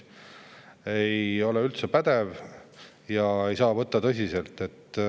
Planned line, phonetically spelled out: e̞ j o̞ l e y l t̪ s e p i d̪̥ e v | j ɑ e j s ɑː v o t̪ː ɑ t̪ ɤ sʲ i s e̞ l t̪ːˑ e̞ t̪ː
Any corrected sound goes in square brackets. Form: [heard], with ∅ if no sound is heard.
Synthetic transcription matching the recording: e̞ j o̞ l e y l t̪ s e p [æ] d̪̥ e v | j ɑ e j s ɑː v [ɤ] t̪ː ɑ t̪ ɤ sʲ i s e̞ l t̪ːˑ e̞ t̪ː